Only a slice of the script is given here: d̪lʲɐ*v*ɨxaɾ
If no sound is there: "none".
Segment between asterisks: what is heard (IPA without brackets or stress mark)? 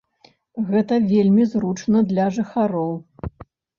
ʐ